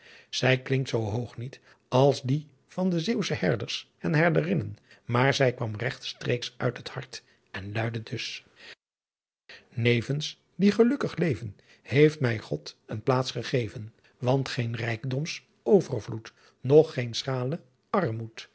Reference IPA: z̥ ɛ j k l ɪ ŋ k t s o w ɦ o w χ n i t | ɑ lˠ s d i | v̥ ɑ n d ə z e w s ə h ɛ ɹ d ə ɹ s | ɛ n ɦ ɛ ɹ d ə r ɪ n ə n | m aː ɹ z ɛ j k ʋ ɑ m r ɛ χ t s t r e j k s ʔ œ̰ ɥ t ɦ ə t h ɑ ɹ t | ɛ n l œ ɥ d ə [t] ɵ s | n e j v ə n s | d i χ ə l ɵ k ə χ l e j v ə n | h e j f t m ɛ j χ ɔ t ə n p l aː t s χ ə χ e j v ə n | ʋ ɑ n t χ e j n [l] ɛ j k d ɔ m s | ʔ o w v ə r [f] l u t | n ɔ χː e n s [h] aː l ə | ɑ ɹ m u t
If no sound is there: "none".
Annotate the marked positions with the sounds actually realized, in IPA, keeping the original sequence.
d, r, v, χ

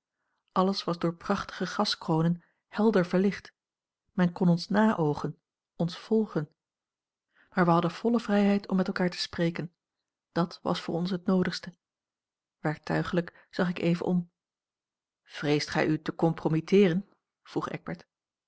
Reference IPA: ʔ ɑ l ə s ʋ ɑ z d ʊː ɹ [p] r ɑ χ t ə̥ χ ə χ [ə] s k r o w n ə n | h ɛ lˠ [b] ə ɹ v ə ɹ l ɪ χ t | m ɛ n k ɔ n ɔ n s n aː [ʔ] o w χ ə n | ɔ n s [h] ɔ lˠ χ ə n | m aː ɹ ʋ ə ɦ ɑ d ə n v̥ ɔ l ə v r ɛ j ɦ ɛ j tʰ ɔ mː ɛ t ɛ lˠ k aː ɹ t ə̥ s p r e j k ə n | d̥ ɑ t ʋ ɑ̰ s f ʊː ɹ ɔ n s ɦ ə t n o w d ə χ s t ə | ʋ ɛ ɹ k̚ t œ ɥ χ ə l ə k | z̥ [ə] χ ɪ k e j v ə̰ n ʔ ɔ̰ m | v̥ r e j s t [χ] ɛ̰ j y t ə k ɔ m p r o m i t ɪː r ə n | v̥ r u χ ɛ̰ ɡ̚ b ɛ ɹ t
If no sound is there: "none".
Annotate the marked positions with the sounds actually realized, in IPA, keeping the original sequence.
p, ɑ, d, ʔ, f, ɑ, χ

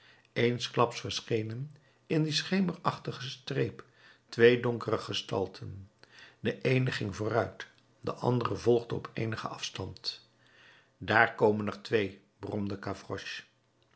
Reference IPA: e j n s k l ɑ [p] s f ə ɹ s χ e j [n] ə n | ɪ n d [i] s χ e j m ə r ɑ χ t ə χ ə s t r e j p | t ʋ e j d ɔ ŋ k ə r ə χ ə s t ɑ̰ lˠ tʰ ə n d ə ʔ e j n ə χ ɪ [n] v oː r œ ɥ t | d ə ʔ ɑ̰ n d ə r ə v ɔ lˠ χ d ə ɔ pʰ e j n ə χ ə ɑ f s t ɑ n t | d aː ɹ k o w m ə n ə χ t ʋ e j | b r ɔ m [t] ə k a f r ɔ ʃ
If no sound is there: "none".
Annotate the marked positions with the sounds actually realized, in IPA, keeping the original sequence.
p, n, i, ŋ, d

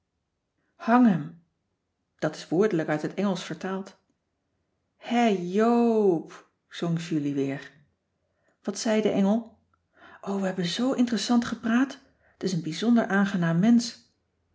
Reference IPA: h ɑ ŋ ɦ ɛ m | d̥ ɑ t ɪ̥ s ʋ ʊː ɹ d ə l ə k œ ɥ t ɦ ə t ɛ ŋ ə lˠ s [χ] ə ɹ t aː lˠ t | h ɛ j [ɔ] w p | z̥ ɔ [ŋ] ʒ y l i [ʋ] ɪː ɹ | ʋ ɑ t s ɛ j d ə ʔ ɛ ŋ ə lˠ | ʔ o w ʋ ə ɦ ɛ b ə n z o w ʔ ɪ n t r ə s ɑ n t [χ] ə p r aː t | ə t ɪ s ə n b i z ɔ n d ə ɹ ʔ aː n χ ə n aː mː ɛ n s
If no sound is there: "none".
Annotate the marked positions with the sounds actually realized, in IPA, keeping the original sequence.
f, o, ŋ, ʋ, χ

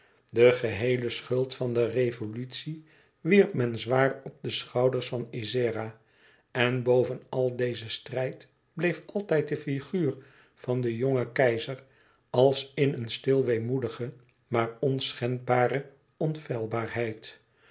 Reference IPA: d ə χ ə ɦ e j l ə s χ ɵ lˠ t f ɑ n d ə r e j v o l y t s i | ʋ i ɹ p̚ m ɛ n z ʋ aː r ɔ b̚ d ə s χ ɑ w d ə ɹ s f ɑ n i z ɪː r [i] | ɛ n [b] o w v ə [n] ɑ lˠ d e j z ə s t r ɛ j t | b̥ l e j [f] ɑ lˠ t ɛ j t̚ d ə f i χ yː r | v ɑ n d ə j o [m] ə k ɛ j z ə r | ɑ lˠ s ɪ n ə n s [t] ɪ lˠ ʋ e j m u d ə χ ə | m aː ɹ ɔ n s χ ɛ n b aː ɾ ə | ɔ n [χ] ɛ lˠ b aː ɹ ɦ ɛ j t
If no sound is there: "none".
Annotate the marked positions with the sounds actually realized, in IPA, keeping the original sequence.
a, b, n, f, ŋ, t, f

